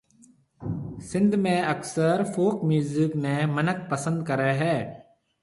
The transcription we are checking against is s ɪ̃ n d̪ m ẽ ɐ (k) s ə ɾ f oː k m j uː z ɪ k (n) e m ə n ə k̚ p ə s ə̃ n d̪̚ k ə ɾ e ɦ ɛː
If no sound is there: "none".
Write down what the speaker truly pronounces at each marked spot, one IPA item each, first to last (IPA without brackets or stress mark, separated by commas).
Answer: k, n